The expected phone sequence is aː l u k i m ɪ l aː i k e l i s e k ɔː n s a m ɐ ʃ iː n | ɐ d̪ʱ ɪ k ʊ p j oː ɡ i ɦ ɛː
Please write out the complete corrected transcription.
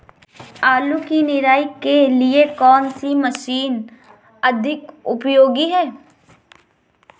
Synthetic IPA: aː l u k i n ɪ ɾ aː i k e l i e k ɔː n s i m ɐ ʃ iː n | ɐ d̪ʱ ɪ k ʊ p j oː ɡ i ɦ ɛː